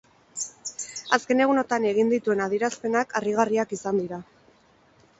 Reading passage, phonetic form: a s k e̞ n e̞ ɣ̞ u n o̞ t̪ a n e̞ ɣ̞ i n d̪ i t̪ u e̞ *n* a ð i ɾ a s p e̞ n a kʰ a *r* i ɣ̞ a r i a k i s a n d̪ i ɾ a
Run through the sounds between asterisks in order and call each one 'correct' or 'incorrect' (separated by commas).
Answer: correct, correct